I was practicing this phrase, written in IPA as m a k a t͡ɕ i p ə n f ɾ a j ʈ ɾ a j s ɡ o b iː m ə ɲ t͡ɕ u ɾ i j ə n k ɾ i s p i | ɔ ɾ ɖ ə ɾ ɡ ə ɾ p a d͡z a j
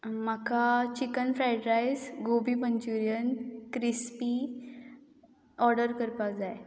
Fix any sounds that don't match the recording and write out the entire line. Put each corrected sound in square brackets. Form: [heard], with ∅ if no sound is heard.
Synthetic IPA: m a k a t͡ɕ i [k] ə n f ɾ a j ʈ ɾ a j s ɡ o b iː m ə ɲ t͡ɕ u ɾ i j ə n k ɾ i s p i | ɔ ɾ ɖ ə ɾ [k] ə ɾ p a d͡z a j